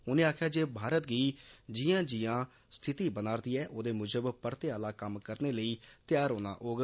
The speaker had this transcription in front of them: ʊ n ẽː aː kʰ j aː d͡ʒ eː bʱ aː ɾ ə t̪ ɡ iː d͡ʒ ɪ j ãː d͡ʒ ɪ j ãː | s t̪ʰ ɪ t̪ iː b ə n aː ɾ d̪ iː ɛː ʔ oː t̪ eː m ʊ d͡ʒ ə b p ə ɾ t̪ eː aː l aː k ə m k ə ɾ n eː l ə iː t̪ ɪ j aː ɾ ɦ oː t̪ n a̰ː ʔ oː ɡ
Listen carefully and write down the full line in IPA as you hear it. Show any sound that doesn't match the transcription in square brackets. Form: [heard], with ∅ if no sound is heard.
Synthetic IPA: ʊ n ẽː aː kʰ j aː d͡ʒ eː bʱ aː ɾ ə t̪ ɡ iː d͡ʒ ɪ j ãː d͡ʒ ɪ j ãː | s t̪ʰ ɪ t̪ iː b ə n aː ɾ d̪ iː ɛː ʔ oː [d̪] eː m ʊ d͡ʒ ə b p ə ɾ t̪ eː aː l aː k ə m k ə ɾ n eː l ə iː t̪ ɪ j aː ɾ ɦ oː [∅] n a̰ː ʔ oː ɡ